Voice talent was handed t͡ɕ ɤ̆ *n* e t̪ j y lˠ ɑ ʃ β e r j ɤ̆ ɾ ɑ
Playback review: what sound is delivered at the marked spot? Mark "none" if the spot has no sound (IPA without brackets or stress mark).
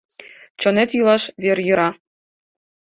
n